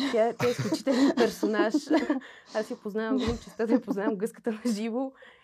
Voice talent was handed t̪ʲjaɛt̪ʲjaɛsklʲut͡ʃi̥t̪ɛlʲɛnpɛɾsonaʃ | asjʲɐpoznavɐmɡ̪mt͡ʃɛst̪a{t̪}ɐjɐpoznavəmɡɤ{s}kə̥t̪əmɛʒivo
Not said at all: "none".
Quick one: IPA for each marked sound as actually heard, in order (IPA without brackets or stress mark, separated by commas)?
d̪, s